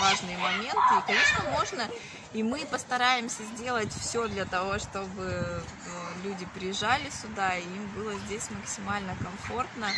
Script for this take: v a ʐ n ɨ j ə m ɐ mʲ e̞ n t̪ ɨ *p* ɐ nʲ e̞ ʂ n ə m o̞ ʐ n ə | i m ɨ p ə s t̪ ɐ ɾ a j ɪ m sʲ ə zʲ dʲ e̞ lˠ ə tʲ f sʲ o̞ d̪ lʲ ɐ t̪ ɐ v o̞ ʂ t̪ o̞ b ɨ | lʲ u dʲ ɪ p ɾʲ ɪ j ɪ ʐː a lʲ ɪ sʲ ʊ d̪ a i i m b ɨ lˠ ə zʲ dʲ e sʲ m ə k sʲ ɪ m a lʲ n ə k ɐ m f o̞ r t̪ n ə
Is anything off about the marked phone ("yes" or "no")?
yes